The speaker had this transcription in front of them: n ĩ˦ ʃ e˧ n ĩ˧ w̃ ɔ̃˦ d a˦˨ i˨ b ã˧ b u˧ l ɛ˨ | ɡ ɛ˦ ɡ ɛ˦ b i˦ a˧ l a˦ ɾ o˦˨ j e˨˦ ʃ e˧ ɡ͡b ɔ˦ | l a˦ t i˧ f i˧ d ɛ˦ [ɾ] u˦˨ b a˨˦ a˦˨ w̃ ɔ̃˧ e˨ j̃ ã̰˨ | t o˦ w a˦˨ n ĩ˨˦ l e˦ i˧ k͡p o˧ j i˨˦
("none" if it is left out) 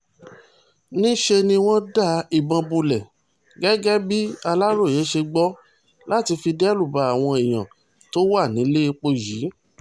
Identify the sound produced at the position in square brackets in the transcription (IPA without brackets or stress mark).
l